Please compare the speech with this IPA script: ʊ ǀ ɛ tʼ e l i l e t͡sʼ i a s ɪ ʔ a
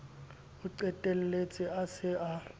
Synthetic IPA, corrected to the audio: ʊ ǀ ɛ tʼ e l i l e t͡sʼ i a s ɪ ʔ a